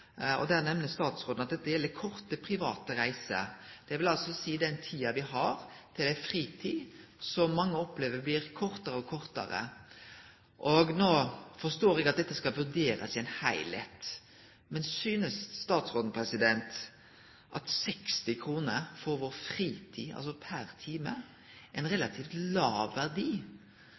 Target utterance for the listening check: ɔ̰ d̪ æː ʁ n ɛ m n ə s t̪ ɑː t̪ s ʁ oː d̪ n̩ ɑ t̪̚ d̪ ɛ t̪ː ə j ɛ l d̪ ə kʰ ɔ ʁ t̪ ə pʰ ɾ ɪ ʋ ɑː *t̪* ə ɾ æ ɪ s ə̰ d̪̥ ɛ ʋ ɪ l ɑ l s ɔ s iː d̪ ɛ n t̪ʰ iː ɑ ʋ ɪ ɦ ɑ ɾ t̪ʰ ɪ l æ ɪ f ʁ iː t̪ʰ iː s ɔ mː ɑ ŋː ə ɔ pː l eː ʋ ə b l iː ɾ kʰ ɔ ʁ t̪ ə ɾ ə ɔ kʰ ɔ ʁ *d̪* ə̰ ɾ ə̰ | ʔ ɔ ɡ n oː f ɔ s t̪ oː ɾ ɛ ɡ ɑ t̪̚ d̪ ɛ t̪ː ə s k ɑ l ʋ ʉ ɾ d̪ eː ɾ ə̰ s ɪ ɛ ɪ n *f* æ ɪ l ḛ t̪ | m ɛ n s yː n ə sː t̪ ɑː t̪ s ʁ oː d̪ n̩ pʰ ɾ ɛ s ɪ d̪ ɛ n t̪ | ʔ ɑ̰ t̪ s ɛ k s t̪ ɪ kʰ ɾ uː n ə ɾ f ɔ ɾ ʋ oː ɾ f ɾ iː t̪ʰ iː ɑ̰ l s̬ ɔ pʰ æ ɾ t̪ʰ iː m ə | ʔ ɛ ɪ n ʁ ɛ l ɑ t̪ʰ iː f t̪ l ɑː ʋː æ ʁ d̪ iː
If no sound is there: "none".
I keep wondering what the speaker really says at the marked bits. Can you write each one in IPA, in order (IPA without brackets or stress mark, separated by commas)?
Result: t̪, t̪, h